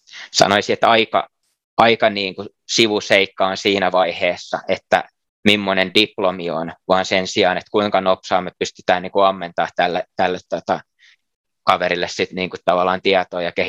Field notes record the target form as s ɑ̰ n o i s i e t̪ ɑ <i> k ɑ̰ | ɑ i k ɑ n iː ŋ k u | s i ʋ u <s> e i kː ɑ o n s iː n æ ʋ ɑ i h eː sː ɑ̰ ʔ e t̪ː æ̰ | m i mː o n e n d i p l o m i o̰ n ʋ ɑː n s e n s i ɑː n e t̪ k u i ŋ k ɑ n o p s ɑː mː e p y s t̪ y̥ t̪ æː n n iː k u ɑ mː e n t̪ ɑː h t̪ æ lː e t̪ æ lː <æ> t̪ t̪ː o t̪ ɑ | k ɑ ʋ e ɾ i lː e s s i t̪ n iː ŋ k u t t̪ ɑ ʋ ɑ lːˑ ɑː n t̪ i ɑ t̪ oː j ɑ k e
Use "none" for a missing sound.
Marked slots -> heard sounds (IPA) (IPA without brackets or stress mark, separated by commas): i, s, e